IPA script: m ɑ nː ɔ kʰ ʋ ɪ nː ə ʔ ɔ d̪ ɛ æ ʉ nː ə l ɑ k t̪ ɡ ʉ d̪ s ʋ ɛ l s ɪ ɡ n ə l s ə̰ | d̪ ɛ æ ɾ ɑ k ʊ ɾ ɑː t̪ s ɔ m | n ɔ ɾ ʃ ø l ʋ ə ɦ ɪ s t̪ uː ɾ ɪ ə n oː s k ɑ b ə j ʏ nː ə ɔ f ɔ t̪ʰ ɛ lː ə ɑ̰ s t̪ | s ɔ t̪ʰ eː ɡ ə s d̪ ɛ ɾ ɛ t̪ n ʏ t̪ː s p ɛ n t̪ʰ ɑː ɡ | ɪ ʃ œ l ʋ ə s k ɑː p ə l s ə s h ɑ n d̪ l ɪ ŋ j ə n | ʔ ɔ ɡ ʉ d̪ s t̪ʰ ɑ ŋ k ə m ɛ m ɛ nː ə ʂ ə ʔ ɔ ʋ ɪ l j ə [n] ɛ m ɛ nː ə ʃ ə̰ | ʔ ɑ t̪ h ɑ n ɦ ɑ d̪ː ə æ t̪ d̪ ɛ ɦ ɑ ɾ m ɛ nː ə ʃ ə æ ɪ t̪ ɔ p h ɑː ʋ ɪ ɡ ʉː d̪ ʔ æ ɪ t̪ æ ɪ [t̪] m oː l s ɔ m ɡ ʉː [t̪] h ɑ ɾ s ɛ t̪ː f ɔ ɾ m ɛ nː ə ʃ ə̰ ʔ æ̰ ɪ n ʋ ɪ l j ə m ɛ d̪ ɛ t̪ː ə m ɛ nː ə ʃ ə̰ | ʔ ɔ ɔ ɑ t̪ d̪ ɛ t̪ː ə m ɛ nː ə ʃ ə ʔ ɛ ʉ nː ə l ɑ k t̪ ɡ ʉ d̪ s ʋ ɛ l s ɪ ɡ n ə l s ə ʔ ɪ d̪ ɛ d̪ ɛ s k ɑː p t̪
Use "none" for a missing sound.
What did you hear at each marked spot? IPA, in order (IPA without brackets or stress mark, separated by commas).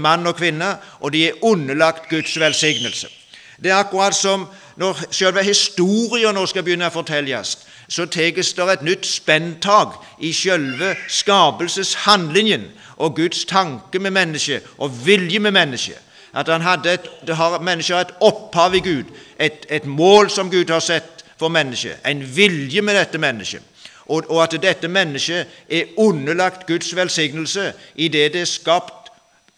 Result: m, t̪, d̪